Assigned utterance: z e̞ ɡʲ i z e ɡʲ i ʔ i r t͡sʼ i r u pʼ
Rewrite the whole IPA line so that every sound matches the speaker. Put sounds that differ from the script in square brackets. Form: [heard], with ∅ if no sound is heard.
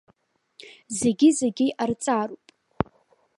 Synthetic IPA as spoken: z e̞ ɡʲ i z e ɡʲ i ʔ [a] r t͡sʼ [a] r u pʼ